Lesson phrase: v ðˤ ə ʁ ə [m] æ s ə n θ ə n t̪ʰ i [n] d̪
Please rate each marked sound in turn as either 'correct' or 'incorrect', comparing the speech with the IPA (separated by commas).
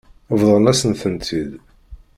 incorrect, incorrect